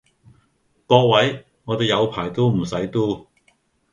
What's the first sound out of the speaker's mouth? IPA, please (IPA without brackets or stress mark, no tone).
k